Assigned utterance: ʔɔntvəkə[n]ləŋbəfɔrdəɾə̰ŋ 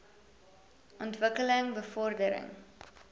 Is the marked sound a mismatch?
yes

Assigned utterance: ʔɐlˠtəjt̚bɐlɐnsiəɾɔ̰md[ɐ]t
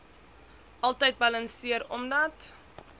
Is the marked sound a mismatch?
no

